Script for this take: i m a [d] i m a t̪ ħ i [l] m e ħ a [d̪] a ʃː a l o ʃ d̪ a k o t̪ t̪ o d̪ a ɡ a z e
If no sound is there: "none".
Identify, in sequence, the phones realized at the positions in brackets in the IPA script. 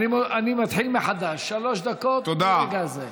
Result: n, l, d̪

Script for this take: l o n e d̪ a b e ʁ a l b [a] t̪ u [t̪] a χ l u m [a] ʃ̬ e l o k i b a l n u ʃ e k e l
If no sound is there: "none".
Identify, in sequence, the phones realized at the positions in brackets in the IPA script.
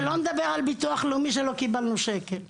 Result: i, none, i

